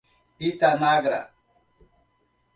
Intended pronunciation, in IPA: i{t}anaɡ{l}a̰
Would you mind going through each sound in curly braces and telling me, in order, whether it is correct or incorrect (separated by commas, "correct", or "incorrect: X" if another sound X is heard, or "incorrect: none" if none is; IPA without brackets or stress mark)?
correct, incorrect: ɾ